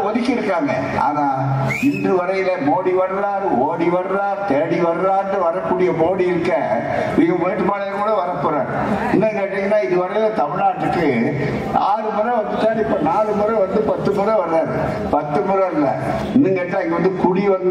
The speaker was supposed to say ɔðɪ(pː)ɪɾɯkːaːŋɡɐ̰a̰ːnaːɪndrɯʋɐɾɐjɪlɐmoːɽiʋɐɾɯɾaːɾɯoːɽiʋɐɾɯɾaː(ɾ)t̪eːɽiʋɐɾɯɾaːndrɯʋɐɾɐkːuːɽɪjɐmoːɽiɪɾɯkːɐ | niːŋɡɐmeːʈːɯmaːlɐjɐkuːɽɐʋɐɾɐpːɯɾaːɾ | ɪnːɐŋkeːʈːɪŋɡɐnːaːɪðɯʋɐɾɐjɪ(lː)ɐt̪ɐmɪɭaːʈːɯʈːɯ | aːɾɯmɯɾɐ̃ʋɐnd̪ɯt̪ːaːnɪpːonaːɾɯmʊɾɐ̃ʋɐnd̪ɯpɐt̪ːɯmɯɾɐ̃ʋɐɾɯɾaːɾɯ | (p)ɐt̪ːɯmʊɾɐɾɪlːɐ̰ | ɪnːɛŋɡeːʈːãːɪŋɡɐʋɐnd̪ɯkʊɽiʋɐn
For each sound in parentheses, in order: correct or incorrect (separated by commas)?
incorrect, correct, incorrect, correct